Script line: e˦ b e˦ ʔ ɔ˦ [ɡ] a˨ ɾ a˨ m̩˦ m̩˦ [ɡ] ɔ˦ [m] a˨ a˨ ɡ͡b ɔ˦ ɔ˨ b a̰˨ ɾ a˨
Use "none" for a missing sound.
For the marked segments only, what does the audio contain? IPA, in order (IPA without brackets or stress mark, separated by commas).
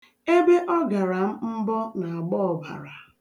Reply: ɡ, b, n